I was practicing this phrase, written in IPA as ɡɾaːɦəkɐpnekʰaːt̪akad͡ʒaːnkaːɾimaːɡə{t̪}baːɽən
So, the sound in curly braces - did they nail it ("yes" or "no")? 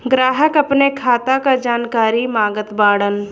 yes